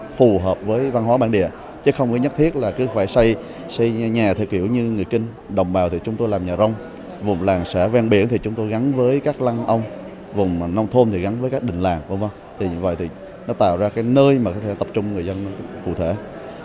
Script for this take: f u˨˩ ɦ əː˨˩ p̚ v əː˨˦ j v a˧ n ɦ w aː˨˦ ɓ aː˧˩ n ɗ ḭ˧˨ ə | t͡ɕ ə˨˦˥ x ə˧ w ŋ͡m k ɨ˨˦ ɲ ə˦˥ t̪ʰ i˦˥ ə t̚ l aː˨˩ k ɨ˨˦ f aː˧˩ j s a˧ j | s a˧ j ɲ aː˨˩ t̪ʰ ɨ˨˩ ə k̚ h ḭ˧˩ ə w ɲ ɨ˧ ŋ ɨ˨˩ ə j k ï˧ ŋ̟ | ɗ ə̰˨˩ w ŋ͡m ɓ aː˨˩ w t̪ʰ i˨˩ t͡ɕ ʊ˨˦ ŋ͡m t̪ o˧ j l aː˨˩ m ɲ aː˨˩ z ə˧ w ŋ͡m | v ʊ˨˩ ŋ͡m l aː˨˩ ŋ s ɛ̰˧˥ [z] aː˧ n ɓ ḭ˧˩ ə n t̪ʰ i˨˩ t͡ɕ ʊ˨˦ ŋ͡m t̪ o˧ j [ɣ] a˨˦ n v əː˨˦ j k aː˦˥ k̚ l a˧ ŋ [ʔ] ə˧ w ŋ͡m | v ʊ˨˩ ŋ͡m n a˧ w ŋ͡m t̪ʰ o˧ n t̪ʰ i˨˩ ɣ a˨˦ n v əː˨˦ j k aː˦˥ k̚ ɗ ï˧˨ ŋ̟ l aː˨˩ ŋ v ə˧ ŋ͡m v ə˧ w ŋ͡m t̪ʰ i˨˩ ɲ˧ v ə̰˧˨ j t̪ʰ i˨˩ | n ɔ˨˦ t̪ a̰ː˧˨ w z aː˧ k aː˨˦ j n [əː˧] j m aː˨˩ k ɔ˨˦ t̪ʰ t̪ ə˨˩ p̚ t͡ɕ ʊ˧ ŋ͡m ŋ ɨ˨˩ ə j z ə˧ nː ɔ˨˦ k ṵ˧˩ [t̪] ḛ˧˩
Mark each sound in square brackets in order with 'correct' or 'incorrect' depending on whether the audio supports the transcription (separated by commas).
incorrect, correct, correct, correct, incorrect